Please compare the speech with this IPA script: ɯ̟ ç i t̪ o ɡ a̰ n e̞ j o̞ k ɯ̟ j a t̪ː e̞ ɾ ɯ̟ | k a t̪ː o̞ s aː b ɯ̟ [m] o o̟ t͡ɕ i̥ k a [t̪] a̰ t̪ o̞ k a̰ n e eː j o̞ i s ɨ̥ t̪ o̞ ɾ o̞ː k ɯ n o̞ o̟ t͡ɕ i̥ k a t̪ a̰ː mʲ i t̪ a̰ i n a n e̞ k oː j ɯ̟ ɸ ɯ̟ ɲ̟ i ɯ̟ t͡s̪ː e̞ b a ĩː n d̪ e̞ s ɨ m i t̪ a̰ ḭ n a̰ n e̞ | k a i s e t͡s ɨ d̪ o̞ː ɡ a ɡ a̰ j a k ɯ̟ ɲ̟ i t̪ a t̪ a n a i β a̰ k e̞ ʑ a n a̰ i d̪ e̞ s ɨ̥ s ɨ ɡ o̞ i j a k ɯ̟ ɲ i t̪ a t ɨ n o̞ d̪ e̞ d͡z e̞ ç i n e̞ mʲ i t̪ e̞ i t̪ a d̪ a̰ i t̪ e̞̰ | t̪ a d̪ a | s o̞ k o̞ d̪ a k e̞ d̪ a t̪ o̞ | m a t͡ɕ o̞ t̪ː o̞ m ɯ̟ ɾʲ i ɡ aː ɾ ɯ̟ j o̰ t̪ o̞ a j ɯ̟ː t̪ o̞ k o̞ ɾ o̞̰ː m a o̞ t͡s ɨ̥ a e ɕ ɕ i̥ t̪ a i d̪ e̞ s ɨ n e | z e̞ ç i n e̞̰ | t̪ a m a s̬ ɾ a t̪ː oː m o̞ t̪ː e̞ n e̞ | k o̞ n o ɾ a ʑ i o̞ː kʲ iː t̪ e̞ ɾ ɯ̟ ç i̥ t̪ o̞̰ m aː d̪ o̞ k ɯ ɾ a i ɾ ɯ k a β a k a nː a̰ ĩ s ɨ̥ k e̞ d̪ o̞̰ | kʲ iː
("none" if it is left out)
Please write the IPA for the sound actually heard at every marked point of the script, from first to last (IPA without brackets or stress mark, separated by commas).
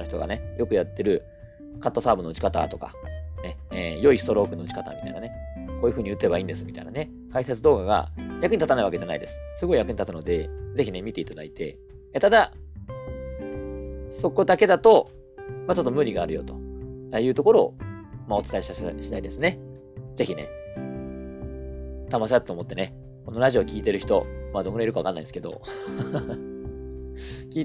n, t̪